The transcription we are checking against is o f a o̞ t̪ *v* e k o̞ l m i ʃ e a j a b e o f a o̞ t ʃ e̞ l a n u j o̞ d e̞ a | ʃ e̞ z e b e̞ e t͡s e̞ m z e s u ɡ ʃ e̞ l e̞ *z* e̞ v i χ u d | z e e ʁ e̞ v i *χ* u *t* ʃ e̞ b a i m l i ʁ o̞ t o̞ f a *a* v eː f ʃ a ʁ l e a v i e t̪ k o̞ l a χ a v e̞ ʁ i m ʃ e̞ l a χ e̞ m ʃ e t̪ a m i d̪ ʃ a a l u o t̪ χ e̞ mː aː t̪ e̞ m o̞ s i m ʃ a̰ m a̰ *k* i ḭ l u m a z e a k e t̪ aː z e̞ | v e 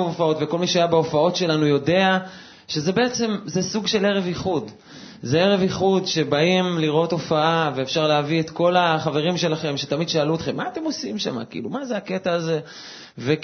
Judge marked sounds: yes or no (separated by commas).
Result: yes, no, yes, no, yes, yes